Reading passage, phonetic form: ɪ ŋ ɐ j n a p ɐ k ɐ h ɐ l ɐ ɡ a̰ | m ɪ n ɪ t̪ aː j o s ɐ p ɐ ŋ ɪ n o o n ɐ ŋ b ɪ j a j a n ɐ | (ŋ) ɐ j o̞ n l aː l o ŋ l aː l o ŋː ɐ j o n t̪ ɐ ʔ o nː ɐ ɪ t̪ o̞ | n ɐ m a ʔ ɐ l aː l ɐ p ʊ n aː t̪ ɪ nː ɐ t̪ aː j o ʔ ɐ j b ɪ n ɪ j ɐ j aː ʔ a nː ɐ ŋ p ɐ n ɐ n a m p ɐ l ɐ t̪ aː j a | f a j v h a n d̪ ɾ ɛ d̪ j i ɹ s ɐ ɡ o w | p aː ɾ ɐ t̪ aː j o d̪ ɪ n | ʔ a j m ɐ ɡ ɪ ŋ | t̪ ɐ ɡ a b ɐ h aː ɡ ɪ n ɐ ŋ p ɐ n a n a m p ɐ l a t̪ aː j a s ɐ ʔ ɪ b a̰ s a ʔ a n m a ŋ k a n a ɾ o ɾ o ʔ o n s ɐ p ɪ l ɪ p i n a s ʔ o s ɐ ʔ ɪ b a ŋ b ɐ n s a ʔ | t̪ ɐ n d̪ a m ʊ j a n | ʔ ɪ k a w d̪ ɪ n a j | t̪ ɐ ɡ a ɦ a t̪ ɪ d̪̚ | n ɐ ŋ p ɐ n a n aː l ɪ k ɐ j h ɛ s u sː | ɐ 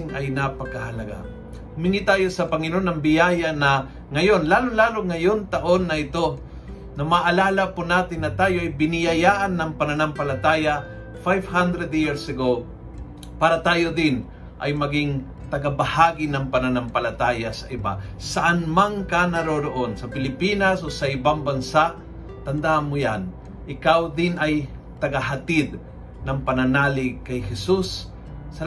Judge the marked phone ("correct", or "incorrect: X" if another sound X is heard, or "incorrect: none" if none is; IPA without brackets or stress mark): correct